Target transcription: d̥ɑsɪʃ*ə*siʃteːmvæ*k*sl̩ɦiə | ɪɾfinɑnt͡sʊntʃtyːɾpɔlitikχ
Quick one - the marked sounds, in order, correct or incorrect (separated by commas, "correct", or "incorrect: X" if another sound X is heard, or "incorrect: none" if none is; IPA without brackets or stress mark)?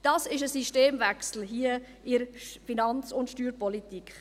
correct, correct